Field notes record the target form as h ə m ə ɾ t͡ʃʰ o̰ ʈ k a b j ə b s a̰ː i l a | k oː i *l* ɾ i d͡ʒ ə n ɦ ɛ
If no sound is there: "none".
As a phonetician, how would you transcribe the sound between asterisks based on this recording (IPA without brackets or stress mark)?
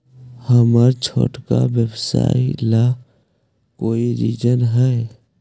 none